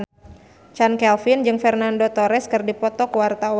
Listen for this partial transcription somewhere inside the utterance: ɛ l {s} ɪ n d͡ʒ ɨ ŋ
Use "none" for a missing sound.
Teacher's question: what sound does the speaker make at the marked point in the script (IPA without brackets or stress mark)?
f